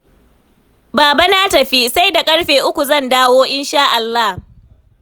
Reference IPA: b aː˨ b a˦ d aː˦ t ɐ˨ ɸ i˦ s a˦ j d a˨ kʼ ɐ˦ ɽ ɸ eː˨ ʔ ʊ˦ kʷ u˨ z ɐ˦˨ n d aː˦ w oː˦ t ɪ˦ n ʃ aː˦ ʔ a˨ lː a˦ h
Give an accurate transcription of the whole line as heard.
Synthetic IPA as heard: b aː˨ b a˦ n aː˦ t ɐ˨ ɸ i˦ s a˦ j d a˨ kʼ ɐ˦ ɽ ɸ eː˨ ʔ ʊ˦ kʷ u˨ z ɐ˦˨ n d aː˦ w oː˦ ʔ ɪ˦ n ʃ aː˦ ʔ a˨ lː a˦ h